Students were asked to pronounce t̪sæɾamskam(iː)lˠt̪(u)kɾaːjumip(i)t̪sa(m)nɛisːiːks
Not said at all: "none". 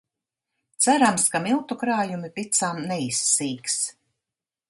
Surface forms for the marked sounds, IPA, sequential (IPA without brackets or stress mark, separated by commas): i, u, i, m